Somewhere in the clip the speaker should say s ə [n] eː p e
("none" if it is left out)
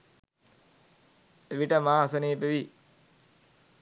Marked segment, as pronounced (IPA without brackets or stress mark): n